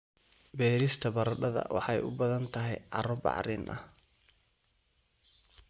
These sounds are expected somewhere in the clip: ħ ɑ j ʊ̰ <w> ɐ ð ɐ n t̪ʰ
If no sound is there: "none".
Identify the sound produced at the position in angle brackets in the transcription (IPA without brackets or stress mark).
b